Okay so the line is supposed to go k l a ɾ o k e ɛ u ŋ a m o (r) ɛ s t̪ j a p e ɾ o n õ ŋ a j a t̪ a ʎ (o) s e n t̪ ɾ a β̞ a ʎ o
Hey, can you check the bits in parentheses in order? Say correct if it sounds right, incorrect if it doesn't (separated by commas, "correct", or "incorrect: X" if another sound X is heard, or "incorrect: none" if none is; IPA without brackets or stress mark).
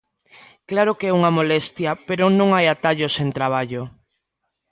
incorrect: l, correct